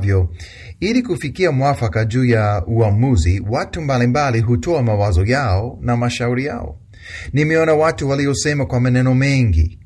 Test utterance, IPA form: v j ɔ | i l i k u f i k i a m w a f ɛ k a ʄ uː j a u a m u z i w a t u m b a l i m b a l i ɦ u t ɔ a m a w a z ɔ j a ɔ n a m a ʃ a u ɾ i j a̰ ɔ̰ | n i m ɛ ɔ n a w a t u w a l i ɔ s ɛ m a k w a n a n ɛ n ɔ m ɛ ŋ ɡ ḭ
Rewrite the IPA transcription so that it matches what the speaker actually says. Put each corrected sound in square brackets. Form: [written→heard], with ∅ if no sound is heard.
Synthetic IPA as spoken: v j ɔ | i l i k u f i k i a m w a f [ɛ→a] k a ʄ uː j a u a m u z i w a t u m b a l i m b a l i ɦ u t ɔ a m a w a z ɔ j a ɔ n a m a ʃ a u ɾ i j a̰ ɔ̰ | n i m ɛ ɔ n a w a t u w a l i ɔ s ɛ m a k w a [n→m] a n ɛ n ɔ m ɛ ŋ ɡ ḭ